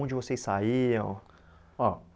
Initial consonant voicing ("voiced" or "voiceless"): voiced